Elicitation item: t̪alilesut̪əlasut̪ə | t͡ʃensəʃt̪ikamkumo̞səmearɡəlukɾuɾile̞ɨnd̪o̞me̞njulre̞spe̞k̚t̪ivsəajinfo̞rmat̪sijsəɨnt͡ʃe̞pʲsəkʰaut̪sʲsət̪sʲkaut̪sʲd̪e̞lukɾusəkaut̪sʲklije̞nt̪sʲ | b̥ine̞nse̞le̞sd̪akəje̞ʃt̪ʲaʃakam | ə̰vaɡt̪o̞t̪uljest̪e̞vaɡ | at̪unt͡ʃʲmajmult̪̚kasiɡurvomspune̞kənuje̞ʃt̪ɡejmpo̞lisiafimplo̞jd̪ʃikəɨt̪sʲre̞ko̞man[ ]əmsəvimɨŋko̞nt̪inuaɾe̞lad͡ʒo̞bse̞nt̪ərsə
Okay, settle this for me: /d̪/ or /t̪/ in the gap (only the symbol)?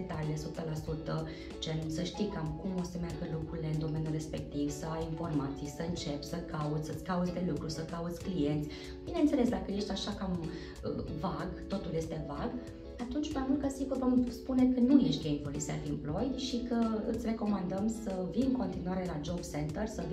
d̪